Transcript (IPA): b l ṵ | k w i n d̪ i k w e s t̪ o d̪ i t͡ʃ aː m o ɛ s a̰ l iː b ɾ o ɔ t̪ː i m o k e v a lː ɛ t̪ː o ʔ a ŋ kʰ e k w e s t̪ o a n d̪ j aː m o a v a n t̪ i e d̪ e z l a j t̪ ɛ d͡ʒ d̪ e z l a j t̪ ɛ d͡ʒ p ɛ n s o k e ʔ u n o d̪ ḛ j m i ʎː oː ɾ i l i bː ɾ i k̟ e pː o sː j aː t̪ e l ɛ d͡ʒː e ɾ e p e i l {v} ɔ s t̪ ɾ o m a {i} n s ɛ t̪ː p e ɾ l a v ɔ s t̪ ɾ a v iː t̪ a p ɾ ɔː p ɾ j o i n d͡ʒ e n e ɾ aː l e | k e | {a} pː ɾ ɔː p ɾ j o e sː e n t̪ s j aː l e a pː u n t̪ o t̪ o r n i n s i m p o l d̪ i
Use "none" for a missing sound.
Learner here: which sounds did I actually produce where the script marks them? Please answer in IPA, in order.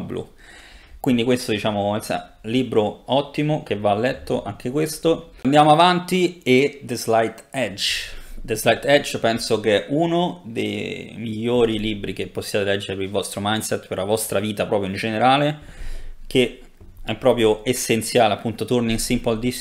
v, j, ɛ

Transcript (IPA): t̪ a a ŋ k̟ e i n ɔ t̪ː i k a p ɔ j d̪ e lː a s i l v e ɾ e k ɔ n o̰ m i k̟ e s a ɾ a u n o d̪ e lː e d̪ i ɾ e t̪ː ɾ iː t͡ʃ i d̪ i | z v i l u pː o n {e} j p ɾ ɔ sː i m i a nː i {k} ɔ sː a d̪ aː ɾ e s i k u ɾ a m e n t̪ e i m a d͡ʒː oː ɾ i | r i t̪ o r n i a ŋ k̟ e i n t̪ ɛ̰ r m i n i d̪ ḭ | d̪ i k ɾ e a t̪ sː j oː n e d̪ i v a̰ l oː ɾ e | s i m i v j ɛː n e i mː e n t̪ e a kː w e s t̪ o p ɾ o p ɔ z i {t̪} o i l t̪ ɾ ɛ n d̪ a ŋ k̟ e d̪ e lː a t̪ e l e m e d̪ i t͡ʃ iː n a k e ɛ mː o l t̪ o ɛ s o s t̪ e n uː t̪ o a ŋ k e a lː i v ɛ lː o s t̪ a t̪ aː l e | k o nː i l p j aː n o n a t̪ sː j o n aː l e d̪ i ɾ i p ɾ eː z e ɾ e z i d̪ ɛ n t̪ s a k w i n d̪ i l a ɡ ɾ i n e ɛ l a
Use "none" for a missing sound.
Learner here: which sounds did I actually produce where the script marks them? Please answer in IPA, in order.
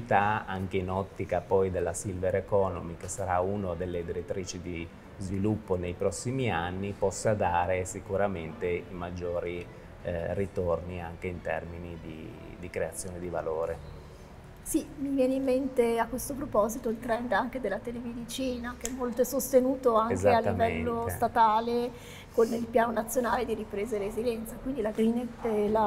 e, p, t̪

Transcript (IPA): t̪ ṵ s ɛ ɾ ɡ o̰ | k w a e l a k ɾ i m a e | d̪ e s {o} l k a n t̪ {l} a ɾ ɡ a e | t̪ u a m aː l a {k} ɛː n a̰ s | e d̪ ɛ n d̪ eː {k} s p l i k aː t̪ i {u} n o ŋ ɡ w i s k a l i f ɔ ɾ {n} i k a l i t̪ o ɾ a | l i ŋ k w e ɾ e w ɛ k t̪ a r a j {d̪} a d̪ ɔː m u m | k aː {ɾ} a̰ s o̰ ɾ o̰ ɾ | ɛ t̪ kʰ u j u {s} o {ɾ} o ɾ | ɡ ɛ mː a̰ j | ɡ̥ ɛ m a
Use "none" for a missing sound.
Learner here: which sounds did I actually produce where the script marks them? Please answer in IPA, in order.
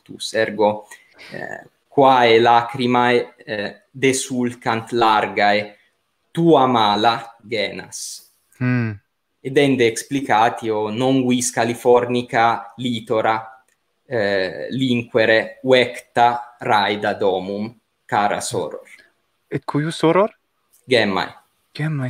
u, l, ɡ, k, o, n, d̪, ɾ, s, ɾ

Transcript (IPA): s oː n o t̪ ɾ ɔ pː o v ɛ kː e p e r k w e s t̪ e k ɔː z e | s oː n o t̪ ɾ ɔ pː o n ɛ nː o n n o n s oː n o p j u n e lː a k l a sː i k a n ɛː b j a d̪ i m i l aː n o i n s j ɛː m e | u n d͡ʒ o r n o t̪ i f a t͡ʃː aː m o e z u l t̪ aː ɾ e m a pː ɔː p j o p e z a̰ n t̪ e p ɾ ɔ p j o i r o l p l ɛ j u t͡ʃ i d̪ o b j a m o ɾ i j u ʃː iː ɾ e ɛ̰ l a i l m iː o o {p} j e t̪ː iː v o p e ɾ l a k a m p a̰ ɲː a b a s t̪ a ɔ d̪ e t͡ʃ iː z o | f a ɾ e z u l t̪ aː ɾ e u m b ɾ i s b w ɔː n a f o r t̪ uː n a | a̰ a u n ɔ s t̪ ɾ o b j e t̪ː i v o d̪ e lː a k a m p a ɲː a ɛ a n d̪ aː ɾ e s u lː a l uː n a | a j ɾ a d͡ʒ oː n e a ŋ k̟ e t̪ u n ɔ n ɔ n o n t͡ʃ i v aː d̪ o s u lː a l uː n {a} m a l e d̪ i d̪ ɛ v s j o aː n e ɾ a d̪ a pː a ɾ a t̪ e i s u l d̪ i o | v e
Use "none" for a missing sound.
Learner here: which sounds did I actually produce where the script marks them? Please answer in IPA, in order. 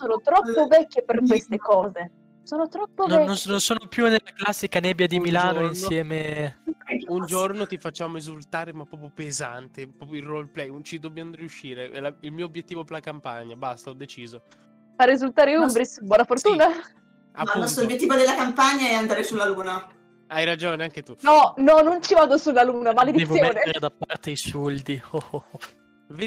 b, a

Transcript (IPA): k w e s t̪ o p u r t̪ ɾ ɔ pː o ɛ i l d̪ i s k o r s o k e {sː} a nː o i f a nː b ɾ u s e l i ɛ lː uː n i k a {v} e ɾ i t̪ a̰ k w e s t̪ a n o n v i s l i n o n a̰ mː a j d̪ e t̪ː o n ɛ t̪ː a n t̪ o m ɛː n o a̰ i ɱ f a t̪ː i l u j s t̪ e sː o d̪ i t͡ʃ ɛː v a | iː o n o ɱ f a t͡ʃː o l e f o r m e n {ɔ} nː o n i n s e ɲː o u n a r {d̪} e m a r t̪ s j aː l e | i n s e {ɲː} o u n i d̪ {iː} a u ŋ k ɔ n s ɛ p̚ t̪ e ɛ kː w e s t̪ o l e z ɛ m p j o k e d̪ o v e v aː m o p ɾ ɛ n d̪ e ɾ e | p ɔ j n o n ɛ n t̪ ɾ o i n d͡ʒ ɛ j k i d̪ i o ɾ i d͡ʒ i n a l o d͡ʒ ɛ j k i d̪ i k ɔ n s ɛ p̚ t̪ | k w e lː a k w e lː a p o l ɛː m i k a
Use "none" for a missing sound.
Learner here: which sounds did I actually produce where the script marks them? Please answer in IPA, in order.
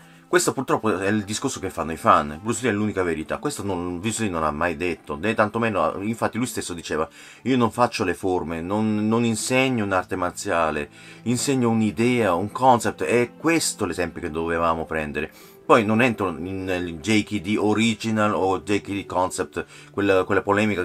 fː, v, o, t̪, ɲː, ɛː

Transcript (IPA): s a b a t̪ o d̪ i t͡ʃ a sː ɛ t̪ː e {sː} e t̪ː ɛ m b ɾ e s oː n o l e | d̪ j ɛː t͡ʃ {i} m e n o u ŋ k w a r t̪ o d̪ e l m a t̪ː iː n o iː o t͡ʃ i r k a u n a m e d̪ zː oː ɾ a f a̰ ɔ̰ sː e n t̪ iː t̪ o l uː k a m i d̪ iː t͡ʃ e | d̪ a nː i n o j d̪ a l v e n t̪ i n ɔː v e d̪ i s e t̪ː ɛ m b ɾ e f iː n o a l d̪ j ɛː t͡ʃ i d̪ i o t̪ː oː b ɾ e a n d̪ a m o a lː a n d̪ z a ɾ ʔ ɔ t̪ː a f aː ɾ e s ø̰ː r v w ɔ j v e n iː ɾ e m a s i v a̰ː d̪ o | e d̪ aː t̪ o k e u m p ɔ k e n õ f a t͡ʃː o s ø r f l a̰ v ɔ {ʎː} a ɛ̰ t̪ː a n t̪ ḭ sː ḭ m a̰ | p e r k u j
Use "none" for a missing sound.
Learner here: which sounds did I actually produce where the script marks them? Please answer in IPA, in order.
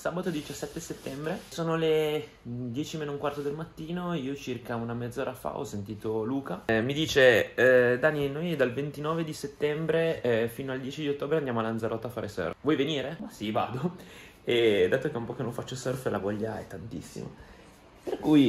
s, i, ʎː

